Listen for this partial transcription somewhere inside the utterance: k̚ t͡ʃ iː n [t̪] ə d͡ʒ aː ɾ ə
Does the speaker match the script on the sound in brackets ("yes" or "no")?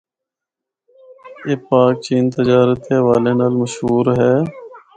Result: yes